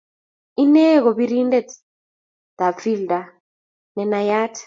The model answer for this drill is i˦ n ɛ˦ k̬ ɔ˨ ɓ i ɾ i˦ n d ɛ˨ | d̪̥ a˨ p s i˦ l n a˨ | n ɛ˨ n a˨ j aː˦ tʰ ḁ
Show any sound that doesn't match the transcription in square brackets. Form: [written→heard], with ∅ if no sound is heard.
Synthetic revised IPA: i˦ n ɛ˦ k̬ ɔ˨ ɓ i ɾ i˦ n d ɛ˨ | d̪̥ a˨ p [s→f] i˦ l [n→d] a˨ | n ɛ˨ n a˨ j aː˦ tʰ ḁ